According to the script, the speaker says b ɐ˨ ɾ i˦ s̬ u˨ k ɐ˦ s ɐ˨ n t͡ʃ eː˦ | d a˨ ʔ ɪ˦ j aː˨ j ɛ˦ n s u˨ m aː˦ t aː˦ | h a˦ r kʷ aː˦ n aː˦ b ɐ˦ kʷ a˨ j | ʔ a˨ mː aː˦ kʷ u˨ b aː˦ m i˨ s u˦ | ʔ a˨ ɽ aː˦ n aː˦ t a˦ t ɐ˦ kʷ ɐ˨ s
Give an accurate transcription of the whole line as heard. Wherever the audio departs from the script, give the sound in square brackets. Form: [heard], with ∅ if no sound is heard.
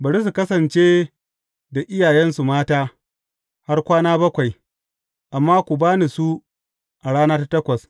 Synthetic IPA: b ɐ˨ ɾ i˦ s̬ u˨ k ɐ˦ s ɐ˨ n t͡ʃ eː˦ | d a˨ ʔ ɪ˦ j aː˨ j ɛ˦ n s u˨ m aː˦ t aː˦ | h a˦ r kʷ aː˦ n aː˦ b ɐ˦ kʷ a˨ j | ʔ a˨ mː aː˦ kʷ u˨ b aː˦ [n] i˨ s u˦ | ʔ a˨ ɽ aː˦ n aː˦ t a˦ t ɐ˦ kʷ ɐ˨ s